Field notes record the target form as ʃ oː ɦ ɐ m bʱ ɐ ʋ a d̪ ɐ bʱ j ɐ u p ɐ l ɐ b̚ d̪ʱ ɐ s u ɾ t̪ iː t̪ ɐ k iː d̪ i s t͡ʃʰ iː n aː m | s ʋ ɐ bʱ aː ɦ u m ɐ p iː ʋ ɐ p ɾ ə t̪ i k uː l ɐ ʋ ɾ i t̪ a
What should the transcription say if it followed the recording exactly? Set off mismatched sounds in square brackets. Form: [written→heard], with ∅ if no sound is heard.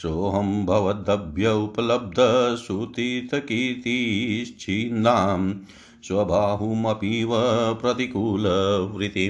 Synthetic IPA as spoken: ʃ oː ɦ ɐ m bʱ ɐ ʋ [a→ɐ] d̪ ɐ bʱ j ɐ u p ɐ l ɐ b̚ d̪ʱ ɐ s u [ɾ→∅] t̪ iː t̪ ɐ k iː [d̪→t̪] i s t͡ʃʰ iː n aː m | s ʋ ɐ bʱ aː ɦ u m ɐ p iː ʋ ɐ p ɾ [ə→ɐ] t̪ i k uː l ɐ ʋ ɾ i t̪ [a→i]